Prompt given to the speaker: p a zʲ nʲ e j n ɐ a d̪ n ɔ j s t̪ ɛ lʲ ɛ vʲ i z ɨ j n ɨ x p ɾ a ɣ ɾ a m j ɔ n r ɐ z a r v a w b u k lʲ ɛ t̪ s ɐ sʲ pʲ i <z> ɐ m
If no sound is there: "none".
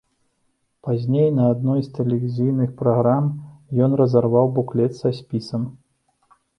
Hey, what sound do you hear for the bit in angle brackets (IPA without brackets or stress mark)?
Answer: s